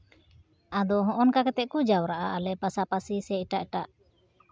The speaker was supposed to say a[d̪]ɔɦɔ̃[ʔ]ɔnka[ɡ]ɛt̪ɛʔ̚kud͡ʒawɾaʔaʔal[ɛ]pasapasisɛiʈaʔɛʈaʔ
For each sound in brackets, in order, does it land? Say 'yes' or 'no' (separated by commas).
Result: yes, yes, no, yes